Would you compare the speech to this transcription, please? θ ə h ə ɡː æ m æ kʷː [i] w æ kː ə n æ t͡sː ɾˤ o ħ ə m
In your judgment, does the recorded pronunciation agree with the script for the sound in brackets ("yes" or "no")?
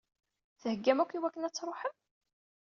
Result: yes